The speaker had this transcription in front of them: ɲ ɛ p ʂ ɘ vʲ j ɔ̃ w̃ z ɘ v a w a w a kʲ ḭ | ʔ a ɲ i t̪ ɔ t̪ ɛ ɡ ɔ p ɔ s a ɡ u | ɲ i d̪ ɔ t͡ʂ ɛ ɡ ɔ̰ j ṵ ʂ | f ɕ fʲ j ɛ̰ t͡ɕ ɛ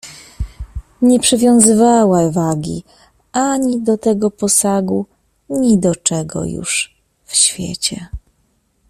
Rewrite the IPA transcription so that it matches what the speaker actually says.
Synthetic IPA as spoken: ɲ ɛ p ʂ ɘ vʲ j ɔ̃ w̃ z ɘ v a w a v a ɡʲ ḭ | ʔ a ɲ i d̪ ɔ t̪ ɛ ɡ ɔ p ɔ s a ɡ u | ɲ i d̪ ɔ t͡ʂ ɛ ɡ ɔ̰ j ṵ ʂ | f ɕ fʲ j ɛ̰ t͡ɕ ɛ

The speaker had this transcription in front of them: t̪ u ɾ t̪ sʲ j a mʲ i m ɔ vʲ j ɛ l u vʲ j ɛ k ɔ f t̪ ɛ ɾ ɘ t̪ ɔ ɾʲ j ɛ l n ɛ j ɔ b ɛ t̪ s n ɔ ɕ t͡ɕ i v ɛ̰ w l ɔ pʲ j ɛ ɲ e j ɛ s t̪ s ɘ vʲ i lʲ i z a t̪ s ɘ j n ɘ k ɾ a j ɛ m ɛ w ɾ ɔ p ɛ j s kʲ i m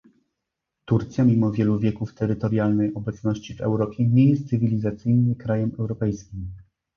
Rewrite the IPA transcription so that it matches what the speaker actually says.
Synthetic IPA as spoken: t̪ u ɾ t̪ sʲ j a mʲ i m ɔ vʲ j ɛ l u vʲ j ɛ k u f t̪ ɛ ɾ ɘ t̪ ɔ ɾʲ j a l n ɛ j ɔ b ɛ t̪ s n ɔ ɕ t͡ɕ i v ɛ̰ w ɾ ɔ pʲ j ɛ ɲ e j ɛ s t̪ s ɘ vʲ i lʲ i z a t̪ s ɘ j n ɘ k ɾ a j ɛ m ɛ w ɾ ɔ p ɛ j s kʲ i m

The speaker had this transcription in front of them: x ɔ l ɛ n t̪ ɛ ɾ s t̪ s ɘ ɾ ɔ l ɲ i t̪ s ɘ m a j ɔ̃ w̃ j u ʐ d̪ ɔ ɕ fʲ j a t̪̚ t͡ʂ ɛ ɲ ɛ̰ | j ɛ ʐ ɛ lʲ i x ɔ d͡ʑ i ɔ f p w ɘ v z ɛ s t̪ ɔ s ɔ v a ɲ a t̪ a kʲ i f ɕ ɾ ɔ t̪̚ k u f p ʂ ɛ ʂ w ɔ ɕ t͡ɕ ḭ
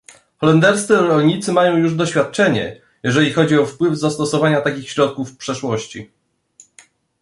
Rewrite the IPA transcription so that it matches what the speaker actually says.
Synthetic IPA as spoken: x ɔ l ɛ n d̪ ɛ ɾ s t̪ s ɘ ɾ ɔ l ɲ i t̪ s ɘ m a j ɔ̃ w̃ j u ʐ d̪ ɔ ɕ fʲ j a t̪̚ t͡ʂ ɛ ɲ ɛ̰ | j ɛ ʐ ɛ lʲ i x ɔ d͡ʑ i ɔ f p w ɘ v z a s t̪ ɔ s ɔ v a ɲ a t̪ a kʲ i x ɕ ɾ ɔ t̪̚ k u f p ʂ ɛ ʂ w ɔ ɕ t͡ɕ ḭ

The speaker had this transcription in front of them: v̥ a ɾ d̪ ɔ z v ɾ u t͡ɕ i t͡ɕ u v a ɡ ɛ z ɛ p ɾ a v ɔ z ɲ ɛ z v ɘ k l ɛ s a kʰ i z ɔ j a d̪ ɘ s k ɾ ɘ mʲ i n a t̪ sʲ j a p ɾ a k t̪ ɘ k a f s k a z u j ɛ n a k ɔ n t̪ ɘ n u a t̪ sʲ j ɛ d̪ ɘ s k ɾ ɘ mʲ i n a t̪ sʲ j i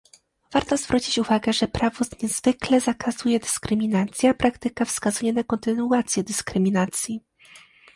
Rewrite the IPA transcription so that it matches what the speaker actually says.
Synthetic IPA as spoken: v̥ a ɾ t̪ ɔ z v ɾ u t͡ɕ i t͡ɕ u v a ɡ ɛ ʐ ɛ p ɾ a v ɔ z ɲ ɛ z v ɘ k l ɛ z a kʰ a z u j ɛ d̪ ɘ s k ɾ ɘ mʲ i n a t̪ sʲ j a p ɾ a k t̪ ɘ k a f s k a z u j ɛ n a k ɔ n t̪ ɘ n u a t̪ sʲ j ɛ d̪ ɘ s k ɾ ɘ mʲ i n a t̪ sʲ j i

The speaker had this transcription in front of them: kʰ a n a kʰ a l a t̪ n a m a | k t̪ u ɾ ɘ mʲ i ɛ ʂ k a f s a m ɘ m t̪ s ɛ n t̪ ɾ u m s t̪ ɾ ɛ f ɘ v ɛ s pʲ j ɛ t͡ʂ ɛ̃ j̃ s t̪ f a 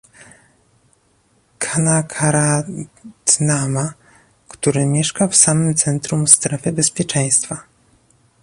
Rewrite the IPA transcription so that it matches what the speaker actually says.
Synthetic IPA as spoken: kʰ a n a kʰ a ɾ a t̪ n a m a | k t̪ u ɾ ɘ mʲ j ɛ ʂ k a f s a m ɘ m t̪ s ɛ n t̪ ɾ u m s t̪ ɾ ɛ f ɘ b ɛ s pʲ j ɛ t͡ʂ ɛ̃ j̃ s t̪ f a

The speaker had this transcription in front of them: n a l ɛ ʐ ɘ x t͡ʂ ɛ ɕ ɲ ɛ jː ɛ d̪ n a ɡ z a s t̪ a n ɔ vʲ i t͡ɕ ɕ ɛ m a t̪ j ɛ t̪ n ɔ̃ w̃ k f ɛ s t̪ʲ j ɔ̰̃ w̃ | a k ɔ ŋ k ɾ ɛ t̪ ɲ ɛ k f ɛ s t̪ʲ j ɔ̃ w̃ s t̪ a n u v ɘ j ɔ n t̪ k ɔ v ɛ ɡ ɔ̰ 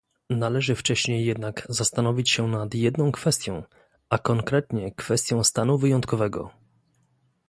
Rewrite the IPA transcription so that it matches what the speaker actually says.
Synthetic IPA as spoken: n a l ɛ ʐ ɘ f t͡ʂ ɛ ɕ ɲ e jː ɛ d̪ n a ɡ z a s t̪ a n ɔ vʲ i t͡ɕ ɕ ɛ n a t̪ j ɛ d̪ n ɔ̃ w̃ k f ɛ s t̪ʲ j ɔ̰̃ w̃ | a k ɔ ŋ k ɾ ɛ t̪ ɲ ɛ k f ɛ s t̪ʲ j ɔ̃ w̃ s t̪ a n u v ɘ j ɔ n t̪ k ɔ v ɛ ɡ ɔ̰

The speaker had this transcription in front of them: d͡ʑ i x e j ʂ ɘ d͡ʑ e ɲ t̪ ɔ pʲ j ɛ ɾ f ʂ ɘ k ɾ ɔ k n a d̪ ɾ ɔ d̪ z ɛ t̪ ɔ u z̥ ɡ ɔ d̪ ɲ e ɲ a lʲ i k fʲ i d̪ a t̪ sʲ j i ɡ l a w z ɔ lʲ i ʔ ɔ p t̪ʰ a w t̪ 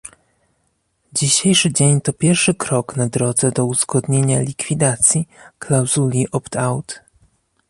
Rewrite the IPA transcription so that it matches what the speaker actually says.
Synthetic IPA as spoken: d͡ʑ i ɕ e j ʂ ɘ d͡ʑ e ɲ t̪ ɔ pʲ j ɛ ɾ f ʂ ɘ k ɾ ɔ k n a d̪ ɾ ɔ d̪ z ɛ d̪ ɔ u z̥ ɡ ɔ d̪ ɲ e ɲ a lʲ i k fʲ i d̪ a t̪ sʲ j i k l a w z u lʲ i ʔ ɔ p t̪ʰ a w t̪

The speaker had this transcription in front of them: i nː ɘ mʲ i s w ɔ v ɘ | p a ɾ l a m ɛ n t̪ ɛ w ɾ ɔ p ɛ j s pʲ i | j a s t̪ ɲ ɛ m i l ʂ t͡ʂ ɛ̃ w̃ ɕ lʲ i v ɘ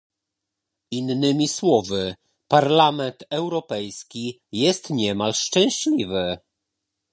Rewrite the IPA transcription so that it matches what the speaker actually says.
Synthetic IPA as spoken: i nː ɘ mʲ i s w ɔ v ɘ | p a ɾ l a m ɛ n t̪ ɛ w ɾ ɔ p ɛ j s kʲ i | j ɛ s t̪ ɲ ɛ m a l ʂ t͡ʂ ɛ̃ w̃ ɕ lʲ i v ɘ

